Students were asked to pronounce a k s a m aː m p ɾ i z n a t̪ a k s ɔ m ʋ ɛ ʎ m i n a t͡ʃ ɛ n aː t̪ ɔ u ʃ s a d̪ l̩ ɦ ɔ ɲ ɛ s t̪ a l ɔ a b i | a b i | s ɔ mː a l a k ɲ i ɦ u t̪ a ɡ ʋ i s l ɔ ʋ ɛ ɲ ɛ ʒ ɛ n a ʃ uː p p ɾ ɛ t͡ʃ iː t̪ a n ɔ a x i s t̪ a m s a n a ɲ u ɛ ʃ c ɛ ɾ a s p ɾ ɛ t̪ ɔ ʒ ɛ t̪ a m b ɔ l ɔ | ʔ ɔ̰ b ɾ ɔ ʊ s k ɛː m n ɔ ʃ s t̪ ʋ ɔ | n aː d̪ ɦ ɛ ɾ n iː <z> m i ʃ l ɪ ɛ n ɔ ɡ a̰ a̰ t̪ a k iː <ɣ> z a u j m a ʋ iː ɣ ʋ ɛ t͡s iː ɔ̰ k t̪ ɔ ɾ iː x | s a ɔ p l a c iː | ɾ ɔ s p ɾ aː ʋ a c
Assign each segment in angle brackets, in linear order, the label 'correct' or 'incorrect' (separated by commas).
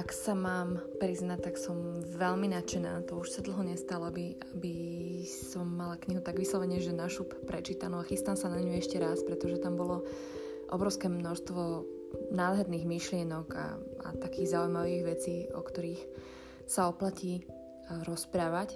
incorrect, correct